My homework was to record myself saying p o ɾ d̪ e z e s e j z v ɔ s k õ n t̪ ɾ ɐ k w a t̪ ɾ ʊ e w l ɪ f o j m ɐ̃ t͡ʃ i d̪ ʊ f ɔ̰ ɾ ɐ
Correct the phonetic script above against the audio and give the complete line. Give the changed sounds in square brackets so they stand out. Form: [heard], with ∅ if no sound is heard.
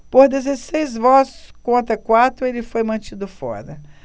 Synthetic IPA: p o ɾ d̪ e z e s e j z v ɔ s k õ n t̪ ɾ ɐ k w a t̪ ɾ ʊ e [∅] l ɪ f o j m ɐ̃ t͡ʃ i d̪ ʊ f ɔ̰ ɾ ɐ